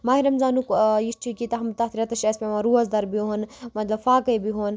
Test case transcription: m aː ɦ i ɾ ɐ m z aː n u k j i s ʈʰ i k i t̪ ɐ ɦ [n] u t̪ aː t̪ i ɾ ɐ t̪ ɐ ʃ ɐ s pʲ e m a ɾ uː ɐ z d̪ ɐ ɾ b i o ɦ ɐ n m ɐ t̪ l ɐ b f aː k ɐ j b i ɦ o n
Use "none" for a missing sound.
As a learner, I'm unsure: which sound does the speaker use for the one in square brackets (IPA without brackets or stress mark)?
m